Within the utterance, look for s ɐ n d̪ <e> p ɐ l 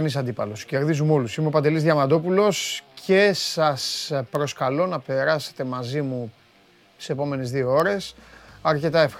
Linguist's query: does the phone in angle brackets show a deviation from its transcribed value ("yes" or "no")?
yes